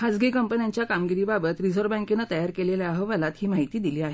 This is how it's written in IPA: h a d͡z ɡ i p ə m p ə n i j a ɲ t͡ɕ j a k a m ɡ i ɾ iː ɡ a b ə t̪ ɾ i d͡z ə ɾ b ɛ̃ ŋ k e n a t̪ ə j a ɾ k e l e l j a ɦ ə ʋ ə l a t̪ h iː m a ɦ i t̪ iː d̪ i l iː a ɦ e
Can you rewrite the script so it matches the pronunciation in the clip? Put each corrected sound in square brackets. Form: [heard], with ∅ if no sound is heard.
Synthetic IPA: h a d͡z ɡ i [k] ə m p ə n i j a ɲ t͡ɕ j a k a m ɡ i ɾ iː [b] a b ə t̪ ɾ i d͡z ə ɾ b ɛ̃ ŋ k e n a t̪ ə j a ɾ k e l e l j a ɦ ə ʋ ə l a t̪ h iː m a ɦ i t̪ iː d̪ i l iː a ɦ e